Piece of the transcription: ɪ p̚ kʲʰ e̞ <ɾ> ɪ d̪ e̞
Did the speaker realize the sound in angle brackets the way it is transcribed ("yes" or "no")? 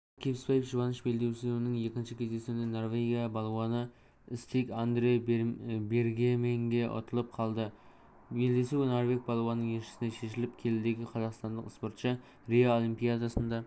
no